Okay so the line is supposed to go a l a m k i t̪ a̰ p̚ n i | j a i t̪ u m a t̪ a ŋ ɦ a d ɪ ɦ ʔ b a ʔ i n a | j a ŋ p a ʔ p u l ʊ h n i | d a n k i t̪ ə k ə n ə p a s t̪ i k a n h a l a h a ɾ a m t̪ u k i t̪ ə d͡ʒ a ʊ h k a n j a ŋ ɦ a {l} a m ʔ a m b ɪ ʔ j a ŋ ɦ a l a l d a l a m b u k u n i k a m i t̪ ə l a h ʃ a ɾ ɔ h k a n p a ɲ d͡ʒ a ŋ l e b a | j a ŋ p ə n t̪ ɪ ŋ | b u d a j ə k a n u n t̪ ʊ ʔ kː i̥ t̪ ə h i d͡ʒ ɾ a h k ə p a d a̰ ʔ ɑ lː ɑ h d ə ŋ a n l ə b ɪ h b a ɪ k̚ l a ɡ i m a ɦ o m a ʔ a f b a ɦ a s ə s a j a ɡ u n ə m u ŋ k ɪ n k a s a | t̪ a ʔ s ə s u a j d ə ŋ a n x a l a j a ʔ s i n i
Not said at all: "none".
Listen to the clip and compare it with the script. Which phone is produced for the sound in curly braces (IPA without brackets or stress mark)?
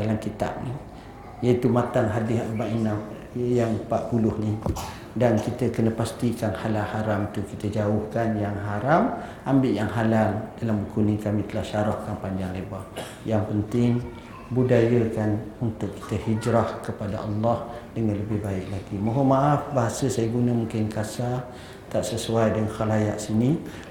ɾ